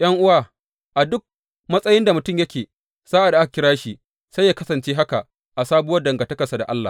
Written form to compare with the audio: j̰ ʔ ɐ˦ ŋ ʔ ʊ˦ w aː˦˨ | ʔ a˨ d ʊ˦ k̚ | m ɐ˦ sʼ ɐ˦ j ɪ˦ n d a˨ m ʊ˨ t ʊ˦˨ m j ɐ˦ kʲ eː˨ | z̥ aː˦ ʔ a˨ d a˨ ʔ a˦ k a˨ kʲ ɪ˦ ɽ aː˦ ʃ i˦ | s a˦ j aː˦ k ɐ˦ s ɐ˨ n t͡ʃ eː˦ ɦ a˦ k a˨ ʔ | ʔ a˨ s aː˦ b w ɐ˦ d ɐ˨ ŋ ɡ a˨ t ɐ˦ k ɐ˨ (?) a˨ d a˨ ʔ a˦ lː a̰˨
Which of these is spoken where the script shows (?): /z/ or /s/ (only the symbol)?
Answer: s